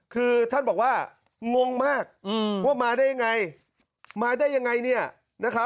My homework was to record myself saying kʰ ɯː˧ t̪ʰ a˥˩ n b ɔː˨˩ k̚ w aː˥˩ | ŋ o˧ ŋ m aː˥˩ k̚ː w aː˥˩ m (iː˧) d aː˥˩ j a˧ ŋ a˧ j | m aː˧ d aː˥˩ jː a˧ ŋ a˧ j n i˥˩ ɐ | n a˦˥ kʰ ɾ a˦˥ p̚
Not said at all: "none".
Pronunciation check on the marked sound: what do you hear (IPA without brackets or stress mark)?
aː˧